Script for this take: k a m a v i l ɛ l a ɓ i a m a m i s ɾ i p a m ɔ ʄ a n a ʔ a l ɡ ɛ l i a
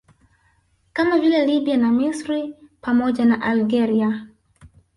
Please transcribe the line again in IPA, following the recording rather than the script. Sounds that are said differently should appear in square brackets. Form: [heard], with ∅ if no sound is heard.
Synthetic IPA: k a m a v i l ɛ l [i] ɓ i a [n] a m i s ɾ i p a m ɔ ʄ a n a ʔ a l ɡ ɛ [ɾ] i a